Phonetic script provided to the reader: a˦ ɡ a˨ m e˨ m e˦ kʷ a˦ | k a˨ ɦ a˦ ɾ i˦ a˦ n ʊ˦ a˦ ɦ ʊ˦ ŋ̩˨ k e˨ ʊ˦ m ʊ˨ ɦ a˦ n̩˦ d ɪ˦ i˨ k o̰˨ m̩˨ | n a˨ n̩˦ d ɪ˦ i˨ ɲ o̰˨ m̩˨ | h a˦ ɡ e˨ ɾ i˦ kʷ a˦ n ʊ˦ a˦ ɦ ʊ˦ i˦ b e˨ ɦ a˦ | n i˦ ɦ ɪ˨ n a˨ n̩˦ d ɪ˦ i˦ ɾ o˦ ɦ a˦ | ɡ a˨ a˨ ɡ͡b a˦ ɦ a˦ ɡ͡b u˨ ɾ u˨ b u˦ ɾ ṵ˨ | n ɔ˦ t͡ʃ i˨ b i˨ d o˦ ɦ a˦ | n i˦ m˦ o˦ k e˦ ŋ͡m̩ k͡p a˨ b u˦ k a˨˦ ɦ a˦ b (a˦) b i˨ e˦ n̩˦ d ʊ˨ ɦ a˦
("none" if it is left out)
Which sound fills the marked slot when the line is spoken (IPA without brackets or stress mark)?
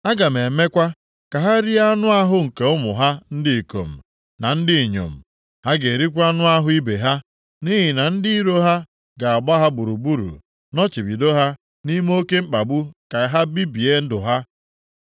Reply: i˦